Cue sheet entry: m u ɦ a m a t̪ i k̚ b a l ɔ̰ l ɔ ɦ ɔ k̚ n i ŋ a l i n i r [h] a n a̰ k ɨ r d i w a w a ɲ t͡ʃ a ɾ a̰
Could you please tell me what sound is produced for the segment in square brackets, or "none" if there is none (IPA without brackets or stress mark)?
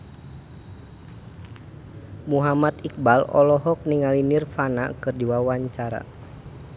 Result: f